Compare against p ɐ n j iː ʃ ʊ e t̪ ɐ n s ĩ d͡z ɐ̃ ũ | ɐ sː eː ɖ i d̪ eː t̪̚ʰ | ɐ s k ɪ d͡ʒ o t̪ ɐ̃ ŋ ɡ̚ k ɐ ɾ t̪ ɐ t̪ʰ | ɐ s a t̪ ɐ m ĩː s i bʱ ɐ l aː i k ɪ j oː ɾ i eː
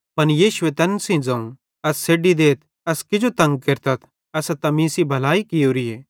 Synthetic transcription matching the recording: p ɐ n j iː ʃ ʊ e t̪ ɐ n s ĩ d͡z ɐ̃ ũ | ɐ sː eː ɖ i d̪ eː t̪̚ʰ | ɐ s k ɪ d͡ʒ o t̪ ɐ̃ ŋ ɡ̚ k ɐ ɾ t̪ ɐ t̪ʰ | ɐ s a t̪ ɐ m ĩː s i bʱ ɐ l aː i k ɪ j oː ɾ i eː